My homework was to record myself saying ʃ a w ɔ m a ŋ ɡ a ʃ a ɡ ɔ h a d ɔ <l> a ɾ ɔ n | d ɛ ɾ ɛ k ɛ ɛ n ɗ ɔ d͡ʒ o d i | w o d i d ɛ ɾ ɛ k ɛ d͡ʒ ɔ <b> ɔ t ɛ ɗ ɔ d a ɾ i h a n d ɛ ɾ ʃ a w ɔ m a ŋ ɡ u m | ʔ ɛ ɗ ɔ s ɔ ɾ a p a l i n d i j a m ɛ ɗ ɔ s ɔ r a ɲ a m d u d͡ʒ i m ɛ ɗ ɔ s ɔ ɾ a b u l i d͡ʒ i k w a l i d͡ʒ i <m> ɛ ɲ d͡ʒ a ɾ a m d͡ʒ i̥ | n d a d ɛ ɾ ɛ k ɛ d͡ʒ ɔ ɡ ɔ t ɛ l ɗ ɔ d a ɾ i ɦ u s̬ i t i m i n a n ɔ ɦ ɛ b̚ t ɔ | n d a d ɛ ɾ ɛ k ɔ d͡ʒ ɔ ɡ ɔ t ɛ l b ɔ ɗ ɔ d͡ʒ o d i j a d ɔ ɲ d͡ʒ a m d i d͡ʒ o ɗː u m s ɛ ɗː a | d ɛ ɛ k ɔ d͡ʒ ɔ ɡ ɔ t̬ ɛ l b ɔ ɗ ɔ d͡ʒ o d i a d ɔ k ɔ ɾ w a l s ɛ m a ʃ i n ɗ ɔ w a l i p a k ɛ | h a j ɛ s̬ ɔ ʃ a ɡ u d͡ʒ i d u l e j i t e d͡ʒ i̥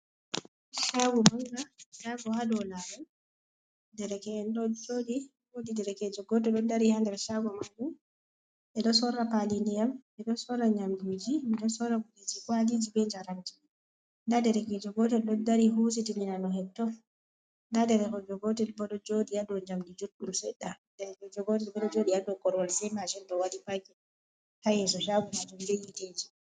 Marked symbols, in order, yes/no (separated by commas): yes, no, no